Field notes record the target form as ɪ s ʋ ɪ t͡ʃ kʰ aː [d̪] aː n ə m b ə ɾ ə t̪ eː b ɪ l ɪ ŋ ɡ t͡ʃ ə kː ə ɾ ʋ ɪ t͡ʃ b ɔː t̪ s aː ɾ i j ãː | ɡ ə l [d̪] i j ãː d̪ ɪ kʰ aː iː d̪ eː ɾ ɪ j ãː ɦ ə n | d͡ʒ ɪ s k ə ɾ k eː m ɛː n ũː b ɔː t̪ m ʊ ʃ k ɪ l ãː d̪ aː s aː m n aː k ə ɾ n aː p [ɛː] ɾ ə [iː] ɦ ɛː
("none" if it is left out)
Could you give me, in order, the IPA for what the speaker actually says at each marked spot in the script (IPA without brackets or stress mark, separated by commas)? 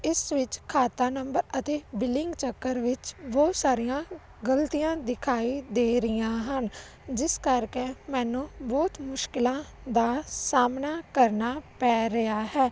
t̪, t̪, ɛː, aː